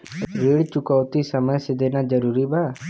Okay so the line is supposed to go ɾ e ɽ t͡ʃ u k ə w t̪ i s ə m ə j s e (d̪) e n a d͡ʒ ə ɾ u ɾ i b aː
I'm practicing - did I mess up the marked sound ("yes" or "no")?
no